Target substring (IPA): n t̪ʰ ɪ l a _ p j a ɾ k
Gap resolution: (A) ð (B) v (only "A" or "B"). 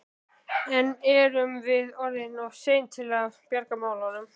B